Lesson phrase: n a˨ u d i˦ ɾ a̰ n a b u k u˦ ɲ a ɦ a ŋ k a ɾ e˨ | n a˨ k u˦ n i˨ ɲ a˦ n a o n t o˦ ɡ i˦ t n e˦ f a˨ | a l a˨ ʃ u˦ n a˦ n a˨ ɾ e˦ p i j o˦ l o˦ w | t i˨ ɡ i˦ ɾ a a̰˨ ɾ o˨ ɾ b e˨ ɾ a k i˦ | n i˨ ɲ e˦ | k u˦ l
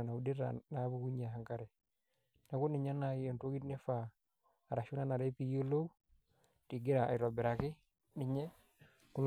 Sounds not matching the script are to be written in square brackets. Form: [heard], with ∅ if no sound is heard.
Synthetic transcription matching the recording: n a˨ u d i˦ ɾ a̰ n a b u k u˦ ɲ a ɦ a ŋ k a ɾ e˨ | n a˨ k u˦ n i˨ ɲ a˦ n a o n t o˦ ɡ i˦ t n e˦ f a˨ | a [ɾ] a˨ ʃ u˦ n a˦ n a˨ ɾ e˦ p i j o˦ l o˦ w | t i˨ ɡ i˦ ɾ a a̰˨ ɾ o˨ [∅] b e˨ ɾ a k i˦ | n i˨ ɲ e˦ | k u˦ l

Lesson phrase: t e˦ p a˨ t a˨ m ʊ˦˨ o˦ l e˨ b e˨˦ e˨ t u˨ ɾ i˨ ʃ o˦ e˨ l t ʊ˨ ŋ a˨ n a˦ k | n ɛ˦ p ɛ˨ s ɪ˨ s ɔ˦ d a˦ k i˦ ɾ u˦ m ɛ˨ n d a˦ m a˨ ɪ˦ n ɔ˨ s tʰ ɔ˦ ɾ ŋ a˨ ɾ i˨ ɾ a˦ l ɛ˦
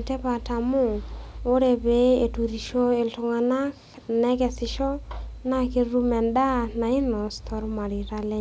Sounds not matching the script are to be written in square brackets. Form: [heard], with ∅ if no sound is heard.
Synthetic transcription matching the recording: t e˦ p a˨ t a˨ m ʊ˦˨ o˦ [ɾ] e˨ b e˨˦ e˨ t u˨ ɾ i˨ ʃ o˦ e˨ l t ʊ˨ ŋ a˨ n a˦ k | n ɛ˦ [k] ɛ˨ s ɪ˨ [ʃ] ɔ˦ [n] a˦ k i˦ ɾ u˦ m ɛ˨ n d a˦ [n] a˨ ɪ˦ n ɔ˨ s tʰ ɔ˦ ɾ [m] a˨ ɾ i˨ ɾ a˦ l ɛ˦

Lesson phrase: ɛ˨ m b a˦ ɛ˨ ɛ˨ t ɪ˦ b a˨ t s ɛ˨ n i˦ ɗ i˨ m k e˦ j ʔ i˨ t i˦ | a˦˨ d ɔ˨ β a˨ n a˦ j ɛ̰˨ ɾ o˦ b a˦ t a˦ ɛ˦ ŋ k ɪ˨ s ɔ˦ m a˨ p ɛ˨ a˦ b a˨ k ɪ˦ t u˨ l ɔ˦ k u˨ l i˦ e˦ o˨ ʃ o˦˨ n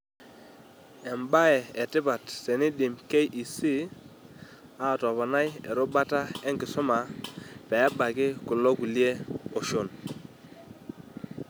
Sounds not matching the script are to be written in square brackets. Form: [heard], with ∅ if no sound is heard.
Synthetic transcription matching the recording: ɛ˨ m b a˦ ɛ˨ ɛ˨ t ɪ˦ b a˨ t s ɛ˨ n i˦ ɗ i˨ m k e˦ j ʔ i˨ [s] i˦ | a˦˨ [t] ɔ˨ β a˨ n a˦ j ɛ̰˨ ɾ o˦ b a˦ t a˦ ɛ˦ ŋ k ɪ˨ s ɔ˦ m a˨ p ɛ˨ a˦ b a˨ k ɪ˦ [k] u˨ l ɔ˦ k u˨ l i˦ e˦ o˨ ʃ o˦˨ n

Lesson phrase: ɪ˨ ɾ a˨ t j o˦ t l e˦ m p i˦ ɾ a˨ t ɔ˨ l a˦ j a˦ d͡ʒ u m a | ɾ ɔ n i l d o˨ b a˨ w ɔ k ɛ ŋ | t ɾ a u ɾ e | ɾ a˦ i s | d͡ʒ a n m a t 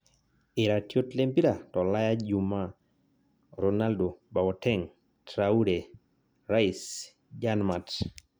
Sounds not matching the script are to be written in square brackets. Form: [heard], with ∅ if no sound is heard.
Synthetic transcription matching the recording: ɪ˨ ɾ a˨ t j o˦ t l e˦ m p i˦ ɾ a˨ t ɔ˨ l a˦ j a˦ d͡ʒ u m a | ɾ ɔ n [a] l d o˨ b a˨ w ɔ [t] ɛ ŋ | t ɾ a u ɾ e | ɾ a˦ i s | d͡ʒ a n m a t

